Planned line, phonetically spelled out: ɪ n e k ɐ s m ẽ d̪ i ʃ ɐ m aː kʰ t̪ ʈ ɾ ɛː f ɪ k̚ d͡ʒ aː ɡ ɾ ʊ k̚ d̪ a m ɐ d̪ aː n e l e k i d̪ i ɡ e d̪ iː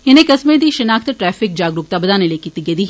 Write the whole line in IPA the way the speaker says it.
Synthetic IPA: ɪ n e k ɐ s m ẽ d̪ i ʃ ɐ n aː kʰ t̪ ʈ ɾ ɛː f ɪ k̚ d͡ʒ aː ɡ ɾ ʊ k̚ t̪ a b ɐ d̪ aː n e l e k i t̪ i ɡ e d̪ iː

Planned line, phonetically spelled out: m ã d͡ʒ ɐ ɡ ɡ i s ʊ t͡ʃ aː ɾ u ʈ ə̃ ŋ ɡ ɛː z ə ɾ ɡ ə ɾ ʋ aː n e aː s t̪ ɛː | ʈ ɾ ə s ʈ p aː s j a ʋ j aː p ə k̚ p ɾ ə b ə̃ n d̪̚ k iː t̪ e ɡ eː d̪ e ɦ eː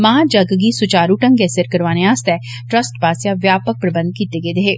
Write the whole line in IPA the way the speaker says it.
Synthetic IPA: m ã d͡ʒ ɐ ɡ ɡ i s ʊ t͡ʃ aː ɾ u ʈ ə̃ ŋ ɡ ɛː s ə ɾ k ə ɾ ʋ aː n e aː s t̪ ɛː | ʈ ɾ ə s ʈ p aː s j a ʋ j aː p ə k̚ p ɾ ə b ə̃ n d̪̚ k iː t̪ e ɡ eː d̪ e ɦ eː

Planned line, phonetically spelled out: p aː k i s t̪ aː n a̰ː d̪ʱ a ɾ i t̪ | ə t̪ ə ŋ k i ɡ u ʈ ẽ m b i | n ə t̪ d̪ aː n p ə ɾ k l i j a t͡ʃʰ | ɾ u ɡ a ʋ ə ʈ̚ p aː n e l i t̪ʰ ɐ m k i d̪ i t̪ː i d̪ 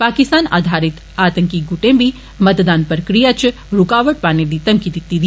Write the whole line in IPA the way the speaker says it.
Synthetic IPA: p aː k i s t̪ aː n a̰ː d̪ʱ a ɾ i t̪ | a t̪ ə ŋ k i ɡ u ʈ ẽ m b i | m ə t̪ d̪ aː n p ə ɾ k ɾ i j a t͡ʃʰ | ɾ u k a ʋ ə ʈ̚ p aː n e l i t̪ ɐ m k i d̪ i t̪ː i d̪

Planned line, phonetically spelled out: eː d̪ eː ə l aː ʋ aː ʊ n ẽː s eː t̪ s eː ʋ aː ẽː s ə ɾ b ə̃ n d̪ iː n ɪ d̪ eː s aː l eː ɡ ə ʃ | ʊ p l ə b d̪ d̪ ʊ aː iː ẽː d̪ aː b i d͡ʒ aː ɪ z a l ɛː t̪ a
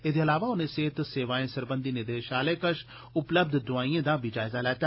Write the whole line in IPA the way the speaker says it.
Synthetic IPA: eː d̪ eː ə l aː ʋ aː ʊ n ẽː s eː t̪ s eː ʋ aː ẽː s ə ɾ b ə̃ n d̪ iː n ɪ d̪ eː ʃ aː l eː k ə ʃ | ʊ p l ə b d̪ d̪ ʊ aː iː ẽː d̪ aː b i d͡ʒ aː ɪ z a l ɛː t̪ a

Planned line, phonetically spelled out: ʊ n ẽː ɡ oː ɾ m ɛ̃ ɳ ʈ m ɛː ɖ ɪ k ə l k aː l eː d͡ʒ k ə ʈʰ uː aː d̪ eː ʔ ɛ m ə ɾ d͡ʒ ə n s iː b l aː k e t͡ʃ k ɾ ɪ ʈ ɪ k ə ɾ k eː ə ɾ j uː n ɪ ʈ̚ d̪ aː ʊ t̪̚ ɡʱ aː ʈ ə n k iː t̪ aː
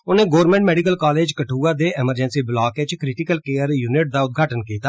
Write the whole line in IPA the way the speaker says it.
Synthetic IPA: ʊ n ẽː ɡ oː ɾ m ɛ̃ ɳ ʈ m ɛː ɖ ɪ k ə l k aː l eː d͡ʒ k ə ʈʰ uː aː d̪ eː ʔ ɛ m ə ɾ d͡ʒ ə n s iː b l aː k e t͡ʃ k ɾ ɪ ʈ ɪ k ə l k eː ə ɾ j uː n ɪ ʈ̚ d̪ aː ʊ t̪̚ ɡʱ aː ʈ ə n k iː t̪ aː

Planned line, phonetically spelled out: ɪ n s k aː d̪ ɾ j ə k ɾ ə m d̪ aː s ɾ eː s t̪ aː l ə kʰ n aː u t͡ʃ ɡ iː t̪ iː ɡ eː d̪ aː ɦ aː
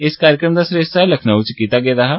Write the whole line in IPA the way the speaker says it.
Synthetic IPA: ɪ s k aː ɾ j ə k ɾ ə m d̪ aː s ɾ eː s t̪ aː l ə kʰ n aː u t͡ʃ k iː t̪ aː ɡ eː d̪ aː ɦ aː

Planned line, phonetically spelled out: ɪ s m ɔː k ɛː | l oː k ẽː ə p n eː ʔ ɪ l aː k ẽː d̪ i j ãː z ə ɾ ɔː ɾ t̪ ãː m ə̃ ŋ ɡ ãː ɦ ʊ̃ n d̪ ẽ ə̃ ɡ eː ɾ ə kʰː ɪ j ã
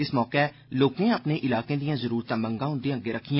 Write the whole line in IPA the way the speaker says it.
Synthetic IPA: ɪ s m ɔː k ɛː | l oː k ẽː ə p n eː ʔ ɪ l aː k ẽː d̪ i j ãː z ə ɾ uː ɾ t̪ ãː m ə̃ ŋ ɡ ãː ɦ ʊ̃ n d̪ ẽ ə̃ ɡ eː ɾ ə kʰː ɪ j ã

